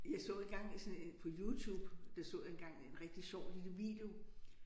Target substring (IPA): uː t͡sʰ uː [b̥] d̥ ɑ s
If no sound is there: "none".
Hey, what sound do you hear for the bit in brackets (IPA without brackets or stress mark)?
b̥